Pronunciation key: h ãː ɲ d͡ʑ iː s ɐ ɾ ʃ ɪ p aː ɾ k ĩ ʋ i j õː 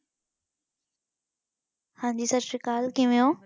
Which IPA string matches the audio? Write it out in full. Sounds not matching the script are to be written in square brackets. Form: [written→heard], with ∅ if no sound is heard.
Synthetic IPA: h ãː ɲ d͡ʑ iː s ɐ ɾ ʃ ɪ [p→k] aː [ɾ→l] k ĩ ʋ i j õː